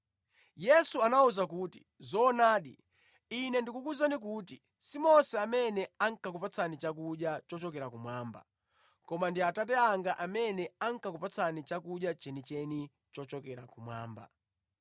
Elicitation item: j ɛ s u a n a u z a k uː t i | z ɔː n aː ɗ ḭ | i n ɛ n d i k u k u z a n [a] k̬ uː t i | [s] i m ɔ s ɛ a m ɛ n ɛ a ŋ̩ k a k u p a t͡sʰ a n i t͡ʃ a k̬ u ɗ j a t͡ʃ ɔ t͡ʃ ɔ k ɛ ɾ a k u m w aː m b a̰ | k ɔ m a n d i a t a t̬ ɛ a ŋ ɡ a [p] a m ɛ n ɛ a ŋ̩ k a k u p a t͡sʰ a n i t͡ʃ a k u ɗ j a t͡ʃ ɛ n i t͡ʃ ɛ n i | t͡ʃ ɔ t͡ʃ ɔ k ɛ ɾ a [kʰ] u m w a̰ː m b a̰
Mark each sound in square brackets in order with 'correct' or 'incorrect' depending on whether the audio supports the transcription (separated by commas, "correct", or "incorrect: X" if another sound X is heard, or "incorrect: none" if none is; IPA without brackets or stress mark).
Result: incorrect: i, correct, incorrect: ʔ, incorrect: k